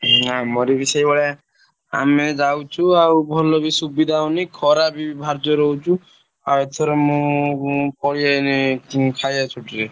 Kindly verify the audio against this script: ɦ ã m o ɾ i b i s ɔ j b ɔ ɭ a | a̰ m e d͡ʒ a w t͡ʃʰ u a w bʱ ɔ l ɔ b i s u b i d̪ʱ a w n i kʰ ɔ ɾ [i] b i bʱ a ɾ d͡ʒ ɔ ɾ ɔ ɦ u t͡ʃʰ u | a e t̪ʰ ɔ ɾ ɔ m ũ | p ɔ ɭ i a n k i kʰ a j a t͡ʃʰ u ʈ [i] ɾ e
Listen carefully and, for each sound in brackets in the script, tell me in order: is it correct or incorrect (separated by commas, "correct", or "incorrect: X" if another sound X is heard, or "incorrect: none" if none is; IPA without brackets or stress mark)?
incorrect: a, correct